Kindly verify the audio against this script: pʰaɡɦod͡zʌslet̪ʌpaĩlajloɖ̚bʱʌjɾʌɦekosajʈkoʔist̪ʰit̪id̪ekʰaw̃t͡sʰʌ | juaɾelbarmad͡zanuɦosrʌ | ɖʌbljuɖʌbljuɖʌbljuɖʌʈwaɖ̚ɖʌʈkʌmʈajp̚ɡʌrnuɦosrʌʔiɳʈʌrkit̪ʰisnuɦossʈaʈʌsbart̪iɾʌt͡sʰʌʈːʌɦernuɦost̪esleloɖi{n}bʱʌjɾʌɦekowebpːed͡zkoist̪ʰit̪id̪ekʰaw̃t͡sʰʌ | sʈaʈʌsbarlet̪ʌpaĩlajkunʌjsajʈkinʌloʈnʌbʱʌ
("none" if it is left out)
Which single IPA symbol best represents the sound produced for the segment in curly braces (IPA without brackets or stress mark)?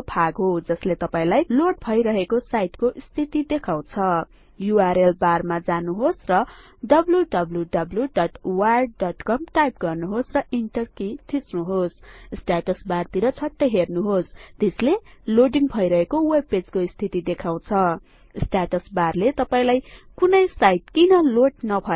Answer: ŋ